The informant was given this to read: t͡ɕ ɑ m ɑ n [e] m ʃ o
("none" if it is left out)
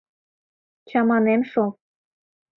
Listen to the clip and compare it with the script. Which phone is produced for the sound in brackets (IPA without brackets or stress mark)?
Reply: e